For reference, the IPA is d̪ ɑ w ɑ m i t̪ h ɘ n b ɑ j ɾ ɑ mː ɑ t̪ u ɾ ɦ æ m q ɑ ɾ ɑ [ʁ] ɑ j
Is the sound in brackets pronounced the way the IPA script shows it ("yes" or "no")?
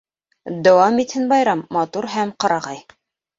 yes